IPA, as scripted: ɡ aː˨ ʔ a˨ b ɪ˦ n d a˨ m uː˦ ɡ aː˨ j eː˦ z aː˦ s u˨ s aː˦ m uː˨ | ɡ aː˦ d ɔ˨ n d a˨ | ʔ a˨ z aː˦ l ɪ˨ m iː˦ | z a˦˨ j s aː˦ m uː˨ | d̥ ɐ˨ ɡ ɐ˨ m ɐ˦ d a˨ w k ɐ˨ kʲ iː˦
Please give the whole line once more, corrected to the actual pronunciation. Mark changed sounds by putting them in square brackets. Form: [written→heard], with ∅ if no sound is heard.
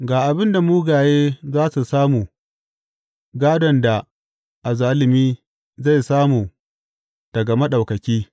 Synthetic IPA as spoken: ɡ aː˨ ʔ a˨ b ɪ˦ n d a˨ m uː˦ ɡ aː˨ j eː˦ z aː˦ s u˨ s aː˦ m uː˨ | ɡ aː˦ d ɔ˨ n d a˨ | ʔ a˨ z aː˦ l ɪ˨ m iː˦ | z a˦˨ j s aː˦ m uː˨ | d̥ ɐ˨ ɡ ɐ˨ m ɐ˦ [d→ɗ] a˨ w k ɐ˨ kʲ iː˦